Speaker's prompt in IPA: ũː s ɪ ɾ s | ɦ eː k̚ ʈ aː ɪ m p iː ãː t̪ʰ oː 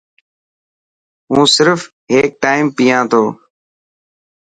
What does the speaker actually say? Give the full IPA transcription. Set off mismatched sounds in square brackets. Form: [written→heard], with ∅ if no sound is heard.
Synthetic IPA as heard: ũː s ɪ ɾ [s→f] | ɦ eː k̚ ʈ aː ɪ m p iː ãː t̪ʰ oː